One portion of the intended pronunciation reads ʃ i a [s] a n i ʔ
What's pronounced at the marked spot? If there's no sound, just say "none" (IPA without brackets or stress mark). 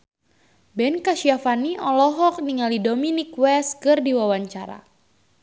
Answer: f